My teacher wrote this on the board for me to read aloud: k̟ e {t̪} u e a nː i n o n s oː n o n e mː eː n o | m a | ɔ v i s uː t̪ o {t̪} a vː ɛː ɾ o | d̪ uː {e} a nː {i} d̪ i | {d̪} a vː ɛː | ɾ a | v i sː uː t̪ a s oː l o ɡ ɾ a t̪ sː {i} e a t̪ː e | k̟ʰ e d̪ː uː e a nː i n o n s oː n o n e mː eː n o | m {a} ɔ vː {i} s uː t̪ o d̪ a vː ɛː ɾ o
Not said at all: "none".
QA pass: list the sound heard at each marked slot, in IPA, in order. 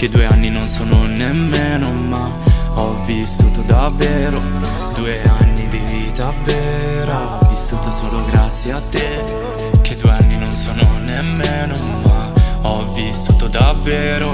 d̪, d̪, e, i, t̪, j, a, i

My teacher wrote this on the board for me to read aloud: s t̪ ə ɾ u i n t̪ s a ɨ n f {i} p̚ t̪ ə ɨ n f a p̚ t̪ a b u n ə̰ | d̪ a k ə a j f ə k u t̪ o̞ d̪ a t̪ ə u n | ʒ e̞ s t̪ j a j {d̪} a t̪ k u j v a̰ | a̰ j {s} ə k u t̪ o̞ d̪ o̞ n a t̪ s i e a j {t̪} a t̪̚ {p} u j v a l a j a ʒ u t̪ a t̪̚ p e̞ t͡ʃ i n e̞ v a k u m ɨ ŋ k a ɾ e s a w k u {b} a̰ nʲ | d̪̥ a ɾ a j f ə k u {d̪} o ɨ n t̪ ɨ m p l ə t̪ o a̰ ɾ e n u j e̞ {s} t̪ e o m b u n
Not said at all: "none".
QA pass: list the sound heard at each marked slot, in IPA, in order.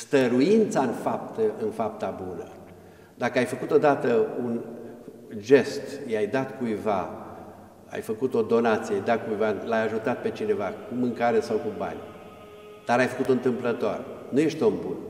a, d̪, f, d̪, k, b, t̪, ʃ

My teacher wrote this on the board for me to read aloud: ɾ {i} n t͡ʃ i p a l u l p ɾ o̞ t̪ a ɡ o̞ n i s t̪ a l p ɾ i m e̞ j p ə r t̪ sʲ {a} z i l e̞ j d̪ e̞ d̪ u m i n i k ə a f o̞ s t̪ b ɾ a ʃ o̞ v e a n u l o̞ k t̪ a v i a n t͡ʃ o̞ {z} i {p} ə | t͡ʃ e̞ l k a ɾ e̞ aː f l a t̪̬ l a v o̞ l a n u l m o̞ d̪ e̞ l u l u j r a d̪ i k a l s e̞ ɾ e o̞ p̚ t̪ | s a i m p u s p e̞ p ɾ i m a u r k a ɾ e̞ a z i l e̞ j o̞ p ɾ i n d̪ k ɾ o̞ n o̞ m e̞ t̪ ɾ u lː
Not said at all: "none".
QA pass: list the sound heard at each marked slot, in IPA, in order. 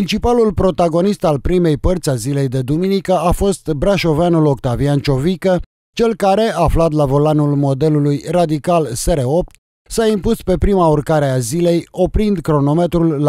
i, a, v, k

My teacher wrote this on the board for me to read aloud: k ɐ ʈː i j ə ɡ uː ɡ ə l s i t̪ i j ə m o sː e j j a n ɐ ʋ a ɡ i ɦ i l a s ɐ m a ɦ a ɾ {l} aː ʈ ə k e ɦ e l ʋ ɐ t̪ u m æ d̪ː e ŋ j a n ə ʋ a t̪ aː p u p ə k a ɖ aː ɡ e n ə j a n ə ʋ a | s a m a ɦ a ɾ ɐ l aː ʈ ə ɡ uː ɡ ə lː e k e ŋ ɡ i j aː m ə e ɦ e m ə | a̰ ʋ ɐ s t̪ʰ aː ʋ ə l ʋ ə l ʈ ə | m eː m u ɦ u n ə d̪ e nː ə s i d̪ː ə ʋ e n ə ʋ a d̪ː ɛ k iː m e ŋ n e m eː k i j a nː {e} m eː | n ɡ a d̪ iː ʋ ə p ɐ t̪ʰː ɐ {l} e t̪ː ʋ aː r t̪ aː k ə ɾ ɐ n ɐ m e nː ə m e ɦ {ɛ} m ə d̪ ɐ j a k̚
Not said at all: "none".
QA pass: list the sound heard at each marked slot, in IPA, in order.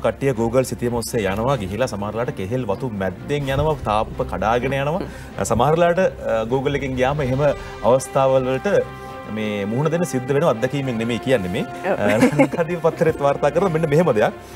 l, e, ɾ, e

